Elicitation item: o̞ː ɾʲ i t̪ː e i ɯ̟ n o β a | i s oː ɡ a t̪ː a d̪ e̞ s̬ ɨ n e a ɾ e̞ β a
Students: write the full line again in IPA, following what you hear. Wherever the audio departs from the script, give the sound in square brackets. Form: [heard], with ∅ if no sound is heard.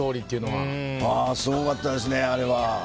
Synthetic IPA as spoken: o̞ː ɾʲ i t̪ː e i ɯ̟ n o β a | [a] s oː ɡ a t̪ː a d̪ e̞ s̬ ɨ n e a ɾ e̞ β a

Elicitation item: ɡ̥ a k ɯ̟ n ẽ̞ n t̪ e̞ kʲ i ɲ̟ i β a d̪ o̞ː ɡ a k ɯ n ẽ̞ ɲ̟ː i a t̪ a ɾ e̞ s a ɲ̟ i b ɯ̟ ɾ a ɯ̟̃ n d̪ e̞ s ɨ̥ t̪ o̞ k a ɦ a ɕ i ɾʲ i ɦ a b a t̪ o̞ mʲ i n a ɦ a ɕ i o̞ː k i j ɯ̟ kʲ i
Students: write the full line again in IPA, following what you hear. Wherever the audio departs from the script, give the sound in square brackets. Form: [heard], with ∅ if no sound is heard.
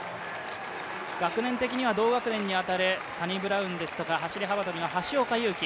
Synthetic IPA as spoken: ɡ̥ a k ɯ̟ n ẽ̞ n t̪ e̞ kʲ i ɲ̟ i β a d̪ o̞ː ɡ a k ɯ n ẽ̞ ɲ̟ː i a t̪ a ɾ e̞ s a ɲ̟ i b ɯ̟ ɾ a ɯ̟̃ n d̪ e̞ s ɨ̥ t̪ o̞ k a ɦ a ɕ i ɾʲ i ɦ a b a t̪ o̞ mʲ i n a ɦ a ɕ i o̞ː k [a] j [ɯ̟ː] kʲ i

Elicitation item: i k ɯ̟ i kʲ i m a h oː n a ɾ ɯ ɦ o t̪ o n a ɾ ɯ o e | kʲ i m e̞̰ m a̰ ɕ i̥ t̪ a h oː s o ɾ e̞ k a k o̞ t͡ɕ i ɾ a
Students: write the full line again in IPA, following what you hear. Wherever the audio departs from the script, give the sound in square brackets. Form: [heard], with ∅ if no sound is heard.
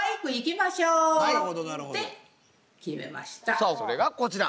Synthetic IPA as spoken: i k ɯ̟ i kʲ i m a [ɕ] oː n a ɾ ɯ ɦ o [d̪] o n a ɾ ɯ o e | kʲ i m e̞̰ m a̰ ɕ i̥ t̪ a [s] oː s o ɾ e̞ [ɡ] a k o̞ t͡ɕ i ɾ a

